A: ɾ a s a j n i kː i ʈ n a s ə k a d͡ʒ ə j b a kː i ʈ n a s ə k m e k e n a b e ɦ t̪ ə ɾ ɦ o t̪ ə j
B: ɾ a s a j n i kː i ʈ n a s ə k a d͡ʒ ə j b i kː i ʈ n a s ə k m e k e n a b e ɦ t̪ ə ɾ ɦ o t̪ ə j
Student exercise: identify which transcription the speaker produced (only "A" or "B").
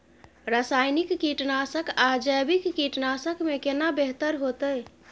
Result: B